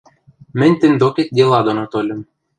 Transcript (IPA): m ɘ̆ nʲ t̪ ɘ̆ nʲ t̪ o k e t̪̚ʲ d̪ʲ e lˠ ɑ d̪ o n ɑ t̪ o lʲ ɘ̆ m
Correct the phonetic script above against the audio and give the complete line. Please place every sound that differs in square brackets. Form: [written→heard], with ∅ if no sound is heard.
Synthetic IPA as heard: m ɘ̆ nʲ t̪ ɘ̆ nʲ [t̪→d̪] o k e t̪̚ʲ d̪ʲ e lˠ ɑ d̪ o n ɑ t̪ o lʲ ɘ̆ m